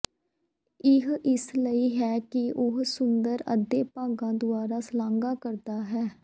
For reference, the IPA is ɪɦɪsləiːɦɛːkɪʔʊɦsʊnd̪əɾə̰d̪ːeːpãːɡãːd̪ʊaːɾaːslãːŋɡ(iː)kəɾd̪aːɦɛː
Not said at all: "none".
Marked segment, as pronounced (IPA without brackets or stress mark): aː